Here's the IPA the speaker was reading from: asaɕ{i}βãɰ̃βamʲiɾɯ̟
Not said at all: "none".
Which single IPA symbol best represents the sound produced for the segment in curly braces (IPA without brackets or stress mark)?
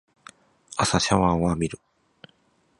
a